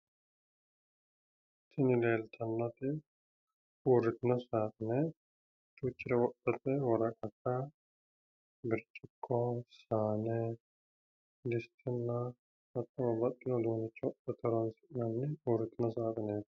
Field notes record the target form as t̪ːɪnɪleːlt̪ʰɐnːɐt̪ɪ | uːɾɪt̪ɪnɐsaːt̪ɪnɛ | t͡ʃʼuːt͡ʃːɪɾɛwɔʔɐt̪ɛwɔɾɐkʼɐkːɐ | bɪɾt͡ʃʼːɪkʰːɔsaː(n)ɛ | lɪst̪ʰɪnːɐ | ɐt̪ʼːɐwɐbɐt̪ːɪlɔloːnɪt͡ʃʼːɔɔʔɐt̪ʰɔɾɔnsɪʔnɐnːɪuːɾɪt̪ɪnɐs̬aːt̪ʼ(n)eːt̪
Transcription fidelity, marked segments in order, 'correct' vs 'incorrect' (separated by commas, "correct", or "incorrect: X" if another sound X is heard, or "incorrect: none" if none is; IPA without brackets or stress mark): correct, correct